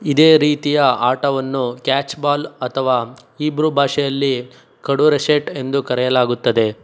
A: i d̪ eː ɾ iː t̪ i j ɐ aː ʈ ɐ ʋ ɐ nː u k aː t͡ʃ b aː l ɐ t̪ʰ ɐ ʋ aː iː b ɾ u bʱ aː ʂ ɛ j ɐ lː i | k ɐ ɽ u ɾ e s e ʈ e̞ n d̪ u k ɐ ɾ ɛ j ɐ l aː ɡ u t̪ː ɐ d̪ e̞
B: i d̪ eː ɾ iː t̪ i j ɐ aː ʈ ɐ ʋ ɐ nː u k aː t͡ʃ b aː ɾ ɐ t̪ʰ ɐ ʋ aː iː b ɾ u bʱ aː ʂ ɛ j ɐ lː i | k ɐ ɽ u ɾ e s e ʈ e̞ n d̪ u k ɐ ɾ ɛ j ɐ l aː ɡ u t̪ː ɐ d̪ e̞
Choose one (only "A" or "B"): A